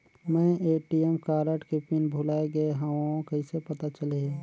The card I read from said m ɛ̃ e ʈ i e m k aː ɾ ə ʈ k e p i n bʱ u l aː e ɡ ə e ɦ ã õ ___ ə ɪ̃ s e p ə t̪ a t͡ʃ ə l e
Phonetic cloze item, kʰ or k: k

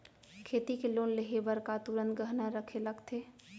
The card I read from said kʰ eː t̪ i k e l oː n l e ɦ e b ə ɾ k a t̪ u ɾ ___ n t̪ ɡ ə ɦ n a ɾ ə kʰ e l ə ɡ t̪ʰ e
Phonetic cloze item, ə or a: ə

